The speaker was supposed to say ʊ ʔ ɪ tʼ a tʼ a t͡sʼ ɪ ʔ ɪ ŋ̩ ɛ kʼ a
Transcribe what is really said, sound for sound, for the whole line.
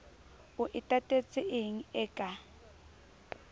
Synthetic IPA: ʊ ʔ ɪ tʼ a tʼ e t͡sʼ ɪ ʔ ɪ ŋ̩ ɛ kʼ a